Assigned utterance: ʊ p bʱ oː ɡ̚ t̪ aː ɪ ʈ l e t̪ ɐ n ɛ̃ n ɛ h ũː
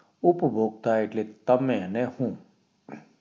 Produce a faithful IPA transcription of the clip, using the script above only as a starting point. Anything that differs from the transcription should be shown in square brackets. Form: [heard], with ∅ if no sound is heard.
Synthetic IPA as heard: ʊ p bʱ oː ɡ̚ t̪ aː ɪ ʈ l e t̪ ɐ [m] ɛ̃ n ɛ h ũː

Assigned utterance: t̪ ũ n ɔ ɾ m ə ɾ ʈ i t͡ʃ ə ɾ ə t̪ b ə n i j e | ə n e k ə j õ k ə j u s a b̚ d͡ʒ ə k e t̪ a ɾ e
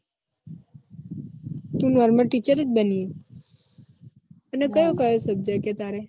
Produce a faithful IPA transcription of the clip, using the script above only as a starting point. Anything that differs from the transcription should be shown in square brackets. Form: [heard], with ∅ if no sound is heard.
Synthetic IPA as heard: t̪ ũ n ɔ ɾ m ə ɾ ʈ i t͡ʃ ə ɾ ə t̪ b ə n i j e | ə n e k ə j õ k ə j [o] s [ə] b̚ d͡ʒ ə k e t̪ a ɾ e

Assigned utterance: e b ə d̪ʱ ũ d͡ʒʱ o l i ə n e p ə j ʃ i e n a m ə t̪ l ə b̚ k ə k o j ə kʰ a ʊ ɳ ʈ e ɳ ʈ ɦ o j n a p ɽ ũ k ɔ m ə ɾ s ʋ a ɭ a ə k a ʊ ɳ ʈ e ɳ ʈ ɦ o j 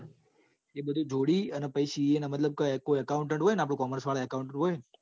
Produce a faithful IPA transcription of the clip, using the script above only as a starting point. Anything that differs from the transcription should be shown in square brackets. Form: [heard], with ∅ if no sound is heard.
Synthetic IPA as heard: e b ə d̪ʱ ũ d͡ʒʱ o [ɽ] i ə n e p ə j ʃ i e n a m ə t̪ l ə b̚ k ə k o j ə [k] a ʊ ɳ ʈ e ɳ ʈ ɦ o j n a p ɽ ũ k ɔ m ə ɾ s ʋ a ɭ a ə k a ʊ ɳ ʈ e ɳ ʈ ɦ o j

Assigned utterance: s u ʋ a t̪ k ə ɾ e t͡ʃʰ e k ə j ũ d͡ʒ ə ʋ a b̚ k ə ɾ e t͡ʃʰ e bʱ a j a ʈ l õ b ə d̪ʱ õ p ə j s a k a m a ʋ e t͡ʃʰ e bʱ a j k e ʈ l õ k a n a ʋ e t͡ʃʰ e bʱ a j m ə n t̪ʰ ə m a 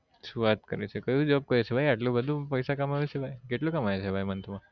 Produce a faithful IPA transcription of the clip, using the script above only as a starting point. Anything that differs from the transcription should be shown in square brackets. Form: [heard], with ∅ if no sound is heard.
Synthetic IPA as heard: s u ʋ a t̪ k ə ɾ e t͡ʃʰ e k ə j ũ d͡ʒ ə ʋ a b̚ k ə ɾ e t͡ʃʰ e bʱ a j a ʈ l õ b ə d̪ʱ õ p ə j s a k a m a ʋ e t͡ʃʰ e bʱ a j k e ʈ l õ k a [m] a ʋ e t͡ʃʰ e bʱ a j m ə n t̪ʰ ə m a

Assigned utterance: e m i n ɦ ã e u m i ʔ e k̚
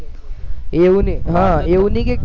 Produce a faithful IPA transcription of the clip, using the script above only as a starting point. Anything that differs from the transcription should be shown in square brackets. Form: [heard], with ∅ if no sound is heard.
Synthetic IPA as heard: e [n] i [∅] ɦ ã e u [n] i [k] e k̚

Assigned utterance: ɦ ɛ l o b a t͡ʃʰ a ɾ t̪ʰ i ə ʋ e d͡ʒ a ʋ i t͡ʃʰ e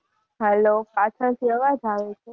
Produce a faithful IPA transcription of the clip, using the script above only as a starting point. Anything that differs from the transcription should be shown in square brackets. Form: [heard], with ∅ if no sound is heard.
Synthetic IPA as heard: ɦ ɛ l o [p] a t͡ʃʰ [ə] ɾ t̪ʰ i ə ʋ [a] d͡ʒ a ʋ [e] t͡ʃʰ e

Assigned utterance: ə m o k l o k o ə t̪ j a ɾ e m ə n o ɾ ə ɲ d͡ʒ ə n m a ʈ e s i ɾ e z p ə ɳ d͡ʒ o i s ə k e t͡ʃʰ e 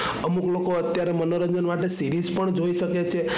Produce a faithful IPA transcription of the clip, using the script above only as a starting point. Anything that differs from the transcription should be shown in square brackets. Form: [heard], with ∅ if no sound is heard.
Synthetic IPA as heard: ə m [u] k l o k o ə t̪ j a ɾ e m ə n o ɾ ə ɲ d͡ʒ ə n m a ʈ e s i ɾ [i] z p ə ɳ d͡ʒ o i [ʃ] ə k e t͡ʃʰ e

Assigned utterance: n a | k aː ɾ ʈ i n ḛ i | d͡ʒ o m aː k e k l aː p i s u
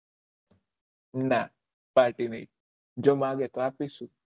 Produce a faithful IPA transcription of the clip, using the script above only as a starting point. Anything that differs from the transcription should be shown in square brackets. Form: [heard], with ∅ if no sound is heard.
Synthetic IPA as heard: n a | [p] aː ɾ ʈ i n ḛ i | d͡ʒ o m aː [ɡ] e k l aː p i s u

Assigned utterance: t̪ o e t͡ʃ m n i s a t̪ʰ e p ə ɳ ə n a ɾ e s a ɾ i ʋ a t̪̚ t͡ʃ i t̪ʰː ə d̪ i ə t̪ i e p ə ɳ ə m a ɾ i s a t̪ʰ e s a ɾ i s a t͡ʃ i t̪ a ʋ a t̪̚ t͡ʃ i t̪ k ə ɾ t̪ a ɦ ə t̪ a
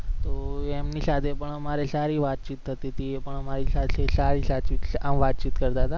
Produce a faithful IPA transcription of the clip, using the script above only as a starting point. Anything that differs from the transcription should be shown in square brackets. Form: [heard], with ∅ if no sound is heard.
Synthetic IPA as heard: t̪ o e [∅] m n i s a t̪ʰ e p ə ɳ ə [m] a ɾ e s a ɾ i ʋ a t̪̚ t͡ʃ i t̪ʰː ə [t̪] i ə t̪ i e p ə ɳ ə m a ɾ i s a t̪ʰ e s a ɾ i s a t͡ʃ i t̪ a ʋ a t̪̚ t͡ʃ i t̪ k ə ɾ t̪ a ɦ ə t̪ a

